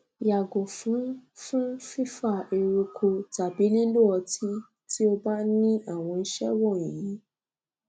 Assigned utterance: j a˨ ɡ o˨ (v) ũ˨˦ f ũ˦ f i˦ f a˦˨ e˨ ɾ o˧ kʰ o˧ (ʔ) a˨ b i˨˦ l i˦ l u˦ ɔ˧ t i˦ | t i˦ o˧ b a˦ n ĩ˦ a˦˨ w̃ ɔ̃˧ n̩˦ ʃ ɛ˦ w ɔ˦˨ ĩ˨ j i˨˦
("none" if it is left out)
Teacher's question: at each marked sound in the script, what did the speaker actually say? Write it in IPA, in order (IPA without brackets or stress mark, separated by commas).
f, t